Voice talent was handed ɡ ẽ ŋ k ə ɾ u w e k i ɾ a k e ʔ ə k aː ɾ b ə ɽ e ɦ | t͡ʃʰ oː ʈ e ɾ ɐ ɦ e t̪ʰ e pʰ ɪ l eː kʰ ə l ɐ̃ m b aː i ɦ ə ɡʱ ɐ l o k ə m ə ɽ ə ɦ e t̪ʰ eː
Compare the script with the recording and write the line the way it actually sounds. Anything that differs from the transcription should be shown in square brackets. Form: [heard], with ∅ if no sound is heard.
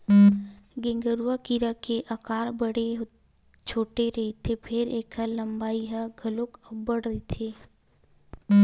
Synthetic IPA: ɡ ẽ ŋ [ɡ] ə ɾ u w [a] k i ɾ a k e ʔ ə k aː ɾ b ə ɽ e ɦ | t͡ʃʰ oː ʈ e ɾ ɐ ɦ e t̪ʰ e pʰ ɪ [ɾ] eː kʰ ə l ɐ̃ m b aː i ɦ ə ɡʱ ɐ l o k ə [b] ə ɽ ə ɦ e t̪ʰ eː